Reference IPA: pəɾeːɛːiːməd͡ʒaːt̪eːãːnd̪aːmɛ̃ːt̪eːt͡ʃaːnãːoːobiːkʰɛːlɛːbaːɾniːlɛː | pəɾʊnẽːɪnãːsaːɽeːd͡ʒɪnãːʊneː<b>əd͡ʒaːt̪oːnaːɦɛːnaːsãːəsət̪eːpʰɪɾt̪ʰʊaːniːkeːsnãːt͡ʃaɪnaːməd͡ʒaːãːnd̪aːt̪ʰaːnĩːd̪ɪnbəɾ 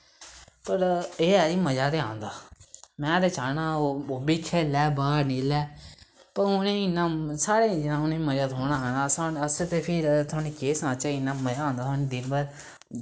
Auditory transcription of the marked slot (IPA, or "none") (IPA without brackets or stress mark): m